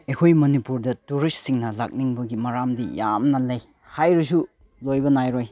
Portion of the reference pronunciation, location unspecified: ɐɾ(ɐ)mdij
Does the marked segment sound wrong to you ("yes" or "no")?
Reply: yes